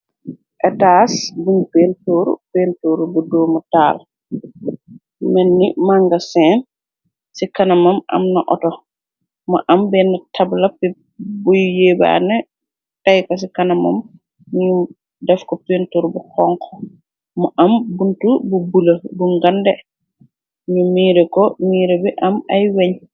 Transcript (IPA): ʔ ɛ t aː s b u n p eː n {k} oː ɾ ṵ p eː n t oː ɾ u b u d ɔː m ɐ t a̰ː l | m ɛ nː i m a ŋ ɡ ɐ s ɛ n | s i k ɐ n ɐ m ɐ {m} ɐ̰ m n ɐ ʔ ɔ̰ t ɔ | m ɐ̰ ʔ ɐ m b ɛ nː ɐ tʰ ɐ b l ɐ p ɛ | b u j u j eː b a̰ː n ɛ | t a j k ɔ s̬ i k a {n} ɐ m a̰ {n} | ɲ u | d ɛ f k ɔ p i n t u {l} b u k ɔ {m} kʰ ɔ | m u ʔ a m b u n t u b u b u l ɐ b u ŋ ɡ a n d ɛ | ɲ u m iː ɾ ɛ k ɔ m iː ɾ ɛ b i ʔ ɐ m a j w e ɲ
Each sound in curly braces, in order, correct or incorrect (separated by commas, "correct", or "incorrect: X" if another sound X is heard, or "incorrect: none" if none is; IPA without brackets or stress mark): incorrect: t, correct, correct, incorrect: m, incorrect: ɾ, incorrect: ŋ